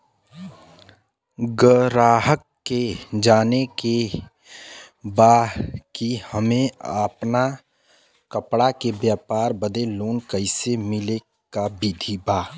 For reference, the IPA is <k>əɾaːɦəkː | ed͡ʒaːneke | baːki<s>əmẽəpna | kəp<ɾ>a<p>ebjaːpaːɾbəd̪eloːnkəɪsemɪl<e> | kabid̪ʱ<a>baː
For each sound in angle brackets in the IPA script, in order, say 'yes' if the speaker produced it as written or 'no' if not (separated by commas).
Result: no, no, no, no, yes, no